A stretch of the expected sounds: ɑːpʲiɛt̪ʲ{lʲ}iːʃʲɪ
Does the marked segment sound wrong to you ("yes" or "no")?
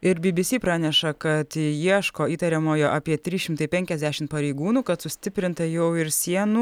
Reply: yes